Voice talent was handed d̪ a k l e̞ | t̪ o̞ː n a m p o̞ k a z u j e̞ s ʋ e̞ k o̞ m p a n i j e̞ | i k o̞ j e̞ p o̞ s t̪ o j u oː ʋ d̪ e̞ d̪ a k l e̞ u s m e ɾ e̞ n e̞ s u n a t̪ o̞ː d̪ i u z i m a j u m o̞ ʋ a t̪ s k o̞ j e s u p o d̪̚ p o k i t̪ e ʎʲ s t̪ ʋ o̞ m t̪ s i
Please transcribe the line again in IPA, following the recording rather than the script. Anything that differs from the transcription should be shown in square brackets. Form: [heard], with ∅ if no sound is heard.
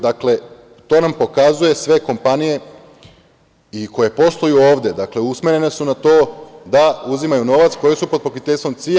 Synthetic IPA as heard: d̪ a k l e̞ | t̪ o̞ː n a m p o̞ k a z u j e̞ s ʋ e̞ k o̞ m p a n i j e̞ | i k o̞ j e̞ p o̞ s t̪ o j u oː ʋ d̪ e̞ d̪ a k l e̞ u s m e ɾ e̞ n e̞ s u n a t̪ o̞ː d̪ [a] u z i m a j u [n] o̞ ʋ a t̪ s k o̞ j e s u p o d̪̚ p o k i t̪ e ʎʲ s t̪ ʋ o̞ m t̪ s i